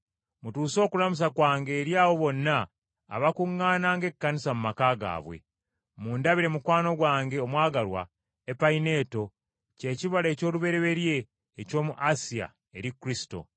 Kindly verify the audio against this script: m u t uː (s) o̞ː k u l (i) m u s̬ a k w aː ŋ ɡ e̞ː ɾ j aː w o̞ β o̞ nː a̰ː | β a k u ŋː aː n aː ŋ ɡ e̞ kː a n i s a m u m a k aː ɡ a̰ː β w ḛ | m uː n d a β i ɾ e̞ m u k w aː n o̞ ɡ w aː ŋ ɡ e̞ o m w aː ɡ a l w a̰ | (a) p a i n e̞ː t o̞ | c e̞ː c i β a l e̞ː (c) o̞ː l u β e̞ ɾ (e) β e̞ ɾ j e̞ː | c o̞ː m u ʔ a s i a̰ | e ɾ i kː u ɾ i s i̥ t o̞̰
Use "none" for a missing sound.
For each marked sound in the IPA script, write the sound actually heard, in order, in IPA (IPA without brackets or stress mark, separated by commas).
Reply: s, a, e, c, e